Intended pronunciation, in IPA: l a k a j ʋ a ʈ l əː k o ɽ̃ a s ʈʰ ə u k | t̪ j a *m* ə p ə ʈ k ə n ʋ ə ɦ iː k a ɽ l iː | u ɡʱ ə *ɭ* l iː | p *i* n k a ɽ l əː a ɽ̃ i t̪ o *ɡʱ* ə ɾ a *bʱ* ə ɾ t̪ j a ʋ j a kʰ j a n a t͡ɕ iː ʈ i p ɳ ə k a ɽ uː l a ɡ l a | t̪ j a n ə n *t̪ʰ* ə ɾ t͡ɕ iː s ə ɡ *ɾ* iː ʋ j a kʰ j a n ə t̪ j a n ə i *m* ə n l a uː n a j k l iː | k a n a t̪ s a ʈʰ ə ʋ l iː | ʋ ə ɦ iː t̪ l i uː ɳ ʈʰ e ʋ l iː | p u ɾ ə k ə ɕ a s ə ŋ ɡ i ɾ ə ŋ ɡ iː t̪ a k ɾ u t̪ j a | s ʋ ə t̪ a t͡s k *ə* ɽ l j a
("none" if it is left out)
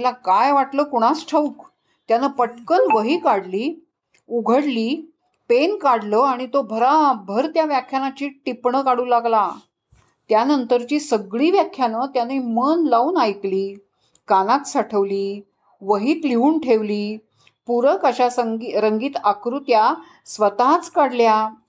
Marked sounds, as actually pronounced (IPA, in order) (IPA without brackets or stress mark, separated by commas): n, ɽ, e, bʱ, bʱ, t̪, ɭ, m, a